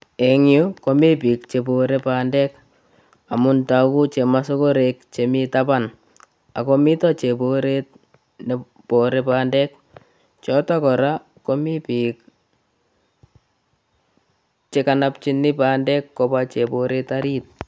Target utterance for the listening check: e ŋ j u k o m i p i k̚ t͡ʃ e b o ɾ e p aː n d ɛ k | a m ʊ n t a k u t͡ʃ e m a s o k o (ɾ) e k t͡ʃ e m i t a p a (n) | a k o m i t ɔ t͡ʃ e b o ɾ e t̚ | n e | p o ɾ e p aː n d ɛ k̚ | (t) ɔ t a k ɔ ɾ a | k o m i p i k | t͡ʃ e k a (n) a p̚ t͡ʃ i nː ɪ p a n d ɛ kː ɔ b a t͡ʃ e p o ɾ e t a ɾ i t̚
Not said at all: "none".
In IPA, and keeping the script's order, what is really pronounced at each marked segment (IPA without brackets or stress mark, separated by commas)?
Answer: ɾ, n, t͡ʃ, n